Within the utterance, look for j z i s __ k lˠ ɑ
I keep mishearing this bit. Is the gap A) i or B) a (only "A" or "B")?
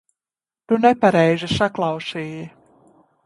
B